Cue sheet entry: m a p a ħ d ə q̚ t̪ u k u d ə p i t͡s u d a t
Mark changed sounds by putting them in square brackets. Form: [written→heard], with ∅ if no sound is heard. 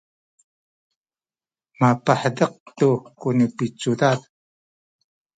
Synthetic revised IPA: m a p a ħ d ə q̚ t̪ u k u [d→n] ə p i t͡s u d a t